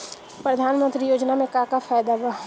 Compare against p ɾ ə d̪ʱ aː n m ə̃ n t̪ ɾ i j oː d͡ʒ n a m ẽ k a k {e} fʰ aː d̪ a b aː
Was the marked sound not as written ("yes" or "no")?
yes